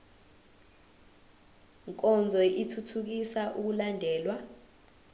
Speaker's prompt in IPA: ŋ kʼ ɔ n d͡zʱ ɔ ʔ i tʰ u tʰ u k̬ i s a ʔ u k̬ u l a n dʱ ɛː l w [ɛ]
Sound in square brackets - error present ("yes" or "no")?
yes